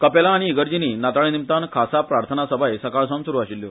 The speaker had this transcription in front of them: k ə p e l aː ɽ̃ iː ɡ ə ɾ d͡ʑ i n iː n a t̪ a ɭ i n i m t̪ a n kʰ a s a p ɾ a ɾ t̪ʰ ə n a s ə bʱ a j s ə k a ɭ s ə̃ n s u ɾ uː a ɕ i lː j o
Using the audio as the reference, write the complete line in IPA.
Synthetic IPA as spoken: k ə p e l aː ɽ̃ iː ɡ ə ɾ d͡ʑ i n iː n a t̪ a ɭ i n i m t̪ a n kʰ a s a p ɾ a ɾ t̪ʰ ə n a s ə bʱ a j s ə k a ɭ s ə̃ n s u ɾ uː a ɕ i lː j o